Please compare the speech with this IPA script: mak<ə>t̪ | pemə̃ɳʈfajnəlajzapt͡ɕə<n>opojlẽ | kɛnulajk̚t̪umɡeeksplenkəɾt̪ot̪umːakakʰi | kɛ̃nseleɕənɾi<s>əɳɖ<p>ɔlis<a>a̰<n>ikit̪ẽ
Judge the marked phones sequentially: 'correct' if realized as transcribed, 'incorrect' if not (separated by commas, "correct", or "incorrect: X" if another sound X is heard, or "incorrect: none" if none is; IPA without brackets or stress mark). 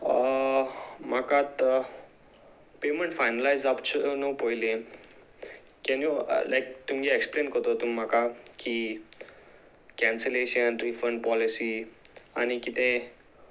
incorrect: a, correct, incorrect: f, correct, incorrect: i, correct